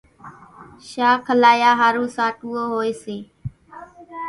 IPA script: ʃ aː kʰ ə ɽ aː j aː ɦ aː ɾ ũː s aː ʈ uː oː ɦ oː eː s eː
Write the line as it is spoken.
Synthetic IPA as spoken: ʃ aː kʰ ə l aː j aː ɦ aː ɾ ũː s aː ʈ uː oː ɦ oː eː s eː

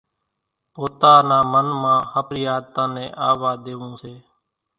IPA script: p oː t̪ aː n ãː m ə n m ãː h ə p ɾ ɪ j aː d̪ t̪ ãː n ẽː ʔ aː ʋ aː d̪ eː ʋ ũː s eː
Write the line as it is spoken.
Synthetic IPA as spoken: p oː t̪ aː n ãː m ə n m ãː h ə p ɾ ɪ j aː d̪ t̪ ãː n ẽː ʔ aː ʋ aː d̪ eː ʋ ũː s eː

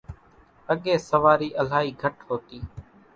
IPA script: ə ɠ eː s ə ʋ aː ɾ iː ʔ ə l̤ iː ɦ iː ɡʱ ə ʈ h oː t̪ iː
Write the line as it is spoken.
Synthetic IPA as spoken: ə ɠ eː s ə ʋ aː ɾ iː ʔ ə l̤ aː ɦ iː ɡʱ ə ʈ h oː t̪ iː

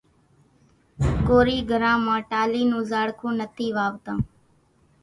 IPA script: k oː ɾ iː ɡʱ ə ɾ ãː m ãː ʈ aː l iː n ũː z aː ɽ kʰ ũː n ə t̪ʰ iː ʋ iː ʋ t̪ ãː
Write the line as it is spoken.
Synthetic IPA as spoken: k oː ɾ iː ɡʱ ə ɾ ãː m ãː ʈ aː l iː n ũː z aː ɽ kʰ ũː n ə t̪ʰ iː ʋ aː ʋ t̪ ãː

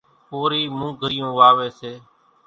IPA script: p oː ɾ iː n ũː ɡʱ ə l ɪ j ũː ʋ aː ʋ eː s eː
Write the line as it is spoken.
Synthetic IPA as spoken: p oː ɾ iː m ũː ɡʱ ə ɾ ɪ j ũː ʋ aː ʋ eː s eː

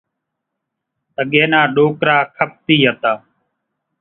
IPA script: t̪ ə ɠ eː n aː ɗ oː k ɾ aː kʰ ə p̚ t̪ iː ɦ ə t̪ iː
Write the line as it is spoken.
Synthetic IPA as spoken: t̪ ə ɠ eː n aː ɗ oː k ɾ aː kʰ ə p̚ t̪ iː ɦ ə t̪ aː

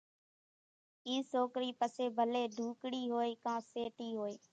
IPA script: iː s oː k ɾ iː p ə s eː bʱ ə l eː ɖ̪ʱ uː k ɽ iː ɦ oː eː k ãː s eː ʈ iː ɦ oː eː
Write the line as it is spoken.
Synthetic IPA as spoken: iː s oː k ɾ iː p ə s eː bʱ ə l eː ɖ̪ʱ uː k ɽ iː ɦ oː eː k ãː s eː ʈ iː ɦ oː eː

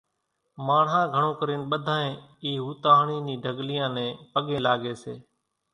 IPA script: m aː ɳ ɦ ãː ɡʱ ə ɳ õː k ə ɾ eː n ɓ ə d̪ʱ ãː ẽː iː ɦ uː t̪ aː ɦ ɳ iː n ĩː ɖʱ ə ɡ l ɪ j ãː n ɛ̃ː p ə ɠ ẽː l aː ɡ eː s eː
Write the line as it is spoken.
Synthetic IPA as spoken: m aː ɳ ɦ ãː ɡʱ ə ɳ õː k ə ɾ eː n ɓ ə d̪ʱ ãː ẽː iː ɦ uː t̪ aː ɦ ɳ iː n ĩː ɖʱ ə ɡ l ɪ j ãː n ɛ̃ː p ə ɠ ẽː l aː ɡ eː s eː

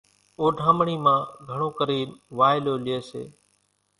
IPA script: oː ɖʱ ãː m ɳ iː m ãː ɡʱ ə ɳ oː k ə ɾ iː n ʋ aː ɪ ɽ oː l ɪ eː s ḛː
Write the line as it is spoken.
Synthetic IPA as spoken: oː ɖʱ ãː m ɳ iː m ãː ɡʱ ə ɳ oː k ə ɾ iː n ʋ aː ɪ l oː l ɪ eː s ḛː

